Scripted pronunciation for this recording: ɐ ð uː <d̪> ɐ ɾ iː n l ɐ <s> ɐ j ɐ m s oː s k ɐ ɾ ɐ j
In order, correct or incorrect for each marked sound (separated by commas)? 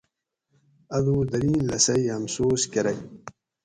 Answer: correct, correct